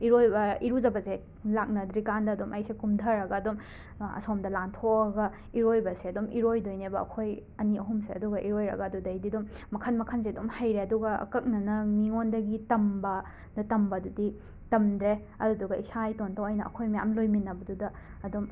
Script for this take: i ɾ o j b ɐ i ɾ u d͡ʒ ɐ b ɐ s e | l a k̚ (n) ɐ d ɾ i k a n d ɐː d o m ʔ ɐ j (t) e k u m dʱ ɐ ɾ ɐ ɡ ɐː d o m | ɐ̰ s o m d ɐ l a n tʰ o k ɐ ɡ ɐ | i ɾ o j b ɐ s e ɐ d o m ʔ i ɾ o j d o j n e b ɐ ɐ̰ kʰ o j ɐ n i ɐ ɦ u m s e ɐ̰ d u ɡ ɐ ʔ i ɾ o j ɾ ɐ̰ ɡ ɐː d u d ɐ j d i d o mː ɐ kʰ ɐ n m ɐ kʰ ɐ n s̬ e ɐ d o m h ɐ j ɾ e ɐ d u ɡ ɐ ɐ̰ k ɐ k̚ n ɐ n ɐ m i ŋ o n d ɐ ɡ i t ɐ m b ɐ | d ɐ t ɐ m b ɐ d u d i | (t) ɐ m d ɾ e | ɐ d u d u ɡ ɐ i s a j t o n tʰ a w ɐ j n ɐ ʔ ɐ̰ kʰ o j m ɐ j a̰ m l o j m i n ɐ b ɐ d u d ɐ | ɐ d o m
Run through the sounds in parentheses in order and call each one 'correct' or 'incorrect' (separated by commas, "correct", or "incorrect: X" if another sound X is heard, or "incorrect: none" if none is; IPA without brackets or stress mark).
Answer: correct, incorrect: s, correct